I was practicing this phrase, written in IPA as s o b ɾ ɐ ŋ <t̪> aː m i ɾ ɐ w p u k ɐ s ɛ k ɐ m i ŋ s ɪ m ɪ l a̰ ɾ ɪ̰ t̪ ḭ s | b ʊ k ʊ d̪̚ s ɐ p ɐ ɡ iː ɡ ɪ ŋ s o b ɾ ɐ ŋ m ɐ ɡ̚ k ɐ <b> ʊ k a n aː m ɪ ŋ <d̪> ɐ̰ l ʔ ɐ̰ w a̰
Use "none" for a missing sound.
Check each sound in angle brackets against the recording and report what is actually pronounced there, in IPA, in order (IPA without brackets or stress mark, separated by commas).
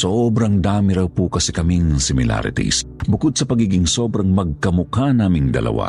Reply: d̪, m, d̪